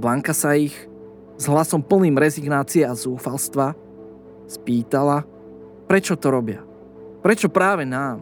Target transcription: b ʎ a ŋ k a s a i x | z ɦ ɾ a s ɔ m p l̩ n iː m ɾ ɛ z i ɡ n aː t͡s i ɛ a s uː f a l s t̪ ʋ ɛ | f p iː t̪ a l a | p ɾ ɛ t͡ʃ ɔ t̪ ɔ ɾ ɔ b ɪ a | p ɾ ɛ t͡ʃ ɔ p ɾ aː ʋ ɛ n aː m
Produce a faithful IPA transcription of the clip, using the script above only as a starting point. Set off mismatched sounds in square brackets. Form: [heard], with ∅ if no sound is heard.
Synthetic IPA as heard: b [l] a ŋ k a s a i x | z ɦ [l] a s ɔ m p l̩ n iː m ɾ ɛ z i ɡ n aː t͡s i ɛ a [z] uː f a l s t̪ ʋ [a] | [s] p iː t̪ a l a | p ɾ ɛ t͡ʃ ɔ t̪ ɔ ɾ ɔ b ɪ a | p ɾ ɛ t͡ʃ ɔ p ɾ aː ʋ ɛ n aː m